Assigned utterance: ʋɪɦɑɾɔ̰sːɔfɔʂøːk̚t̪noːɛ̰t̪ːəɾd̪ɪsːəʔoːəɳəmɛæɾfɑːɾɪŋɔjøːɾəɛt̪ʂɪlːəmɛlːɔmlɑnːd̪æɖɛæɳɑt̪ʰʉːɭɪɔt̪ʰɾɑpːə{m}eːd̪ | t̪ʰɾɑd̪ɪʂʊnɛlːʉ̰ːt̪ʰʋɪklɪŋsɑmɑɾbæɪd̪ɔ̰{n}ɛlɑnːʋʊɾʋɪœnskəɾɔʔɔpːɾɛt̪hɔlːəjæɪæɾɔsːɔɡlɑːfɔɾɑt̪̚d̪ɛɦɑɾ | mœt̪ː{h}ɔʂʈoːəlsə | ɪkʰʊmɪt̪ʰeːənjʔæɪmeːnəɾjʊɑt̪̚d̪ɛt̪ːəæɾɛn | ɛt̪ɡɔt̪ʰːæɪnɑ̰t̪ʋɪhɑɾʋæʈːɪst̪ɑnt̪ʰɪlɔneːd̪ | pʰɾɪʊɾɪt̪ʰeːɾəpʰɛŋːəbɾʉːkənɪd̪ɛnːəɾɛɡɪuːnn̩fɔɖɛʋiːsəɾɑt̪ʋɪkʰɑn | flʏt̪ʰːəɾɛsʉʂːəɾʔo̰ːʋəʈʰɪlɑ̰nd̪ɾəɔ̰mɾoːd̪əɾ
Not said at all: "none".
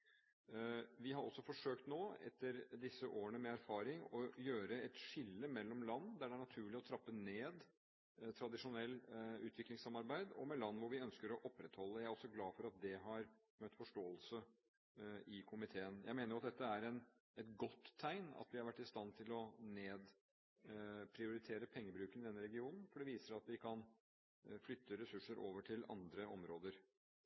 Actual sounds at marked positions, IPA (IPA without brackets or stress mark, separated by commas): n, m, f